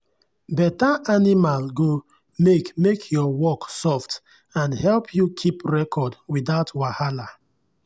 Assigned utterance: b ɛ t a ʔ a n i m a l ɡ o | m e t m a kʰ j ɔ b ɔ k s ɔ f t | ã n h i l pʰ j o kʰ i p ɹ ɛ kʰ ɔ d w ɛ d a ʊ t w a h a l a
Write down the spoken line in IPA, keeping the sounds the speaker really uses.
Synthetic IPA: b ɛ t a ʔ a n i m a l ɡ o | m e k m e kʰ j ɔ w ɔ k s ɔ f t | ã n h ɛ l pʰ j u kʰ i p ɹ ɛ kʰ ɔ d w i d a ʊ t w a h a l a